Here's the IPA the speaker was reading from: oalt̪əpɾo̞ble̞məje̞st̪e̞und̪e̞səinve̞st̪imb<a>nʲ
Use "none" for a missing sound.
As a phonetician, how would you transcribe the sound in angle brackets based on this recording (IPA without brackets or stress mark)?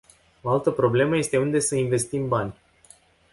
a